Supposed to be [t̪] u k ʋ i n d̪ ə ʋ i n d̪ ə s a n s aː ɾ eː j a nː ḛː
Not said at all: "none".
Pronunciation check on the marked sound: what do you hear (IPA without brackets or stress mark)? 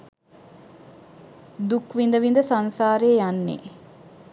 d̪